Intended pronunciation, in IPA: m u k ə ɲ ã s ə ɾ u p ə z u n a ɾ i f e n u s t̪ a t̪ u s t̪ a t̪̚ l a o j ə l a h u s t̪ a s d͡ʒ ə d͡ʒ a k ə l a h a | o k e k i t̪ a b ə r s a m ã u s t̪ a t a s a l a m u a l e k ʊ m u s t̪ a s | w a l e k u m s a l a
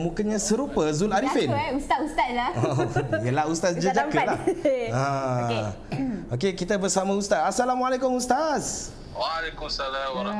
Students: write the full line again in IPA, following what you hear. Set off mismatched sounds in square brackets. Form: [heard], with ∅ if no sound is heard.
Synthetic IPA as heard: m u k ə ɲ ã s ə ɾ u p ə z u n a ɾ i f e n u s t̪ a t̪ u s t̪ a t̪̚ l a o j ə l a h u s t̪ a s d͡ʒ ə d͡ʒ a k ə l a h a | o k e k i t̪ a b ə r s a m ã u s t̪ a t a s a l a m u a l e k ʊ m u s t̪ a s | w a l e k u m s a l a